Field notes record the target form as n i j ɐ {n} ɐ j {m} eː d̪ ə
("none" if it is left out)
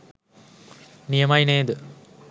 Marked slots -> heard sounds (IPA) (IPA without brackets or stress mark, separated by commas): m, n